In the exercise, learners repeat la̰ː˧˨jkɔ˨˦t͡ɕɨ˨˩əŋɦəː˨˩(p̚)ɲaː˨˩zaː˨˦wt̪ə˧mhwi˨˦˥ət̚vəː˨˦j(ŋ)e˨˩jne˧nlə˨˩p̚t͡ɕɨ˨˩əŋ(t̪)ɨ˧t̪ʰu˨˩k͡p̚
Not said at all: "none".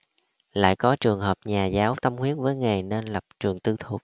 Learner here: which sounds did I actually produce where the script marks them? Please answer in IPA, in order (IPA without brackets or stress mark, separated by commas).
p̚, ŋ, t̪